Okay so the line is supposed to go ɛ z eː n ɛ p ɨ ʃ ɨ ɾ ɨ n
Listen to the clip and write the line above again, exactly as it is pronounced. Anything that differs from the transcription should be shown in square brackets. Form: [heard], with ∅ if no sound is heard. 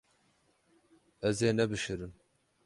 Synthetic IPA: ɛ z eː n ɛ [b] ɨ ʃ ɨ ɾ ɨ n